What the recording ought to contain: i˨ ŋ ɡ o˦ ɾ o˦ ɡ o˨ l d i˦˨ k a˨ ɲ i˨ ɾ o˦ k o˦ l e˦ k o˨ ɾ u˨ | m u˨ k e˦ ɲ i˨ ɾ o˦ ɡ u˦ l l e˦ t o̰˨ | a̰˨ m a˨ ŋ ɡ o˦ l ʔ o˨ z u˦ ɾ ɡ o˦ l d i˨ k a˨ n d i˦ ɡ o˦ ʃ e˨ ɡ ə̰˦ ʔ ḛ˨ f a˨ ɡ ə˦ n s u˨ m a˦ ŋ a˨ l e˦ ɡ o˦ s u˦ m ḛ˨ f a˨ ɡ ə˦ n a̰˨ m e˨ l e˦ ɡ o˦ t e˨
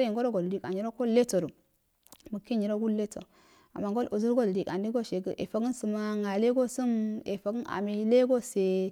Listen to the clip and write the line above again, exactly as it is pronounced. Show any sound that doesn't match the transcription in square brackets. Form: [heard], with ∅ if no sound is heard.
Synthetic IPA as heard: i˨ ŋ ɡ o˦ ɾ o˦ ɡ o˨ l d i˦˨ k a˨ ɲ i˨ ɾ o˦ k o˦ l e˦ [t] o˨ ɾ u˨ | m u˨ k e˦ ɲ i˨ ɾ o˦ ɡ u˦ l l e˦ t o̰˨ | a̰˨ m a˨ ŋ ɡ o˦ l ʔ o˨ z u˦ ɾ ɡ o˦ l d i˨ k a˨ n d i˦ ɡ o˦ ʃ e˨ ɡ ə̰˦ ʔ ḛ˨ f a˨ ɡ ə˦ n s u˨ m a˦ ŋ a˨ l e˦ ɡ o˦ s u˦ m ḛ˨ f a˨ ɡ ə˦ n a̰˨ m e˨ l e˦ ɡ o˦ [s] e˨